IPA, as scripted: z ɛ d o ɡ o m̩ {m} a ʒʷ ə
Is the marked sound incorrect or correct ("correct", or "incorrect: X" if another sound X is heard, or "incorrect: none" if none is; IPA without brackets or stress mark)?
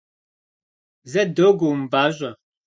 incorrect: b